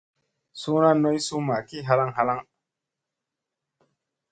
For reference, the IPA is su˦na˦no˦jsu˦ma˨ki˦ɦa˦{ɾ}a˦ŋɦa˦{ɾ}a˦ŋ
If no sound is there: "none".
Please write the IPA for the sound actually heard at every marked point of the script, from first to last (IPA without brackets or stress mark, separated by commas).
l, l